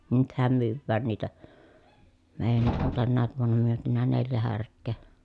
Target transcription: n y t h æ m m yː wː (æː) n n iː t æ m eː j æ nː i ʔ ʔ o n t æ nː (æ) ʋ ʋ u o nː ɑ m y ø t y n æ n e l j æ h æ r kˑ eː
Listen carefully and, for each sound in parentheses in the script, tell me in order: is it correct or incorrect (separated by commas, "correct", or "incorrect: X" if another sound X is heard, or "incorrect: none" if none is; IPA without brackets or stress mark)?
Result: correct, incorrect: æː